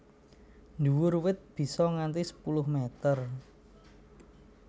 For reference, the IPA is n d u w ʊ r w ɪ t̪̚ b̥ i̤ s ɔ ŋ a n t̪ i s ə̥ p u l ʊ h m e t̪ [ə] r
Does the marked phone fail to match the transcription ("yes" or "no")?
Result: no